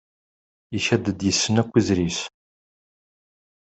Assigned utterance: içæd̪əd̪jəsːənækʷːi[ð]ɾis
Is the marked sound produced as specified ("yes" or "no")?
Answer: no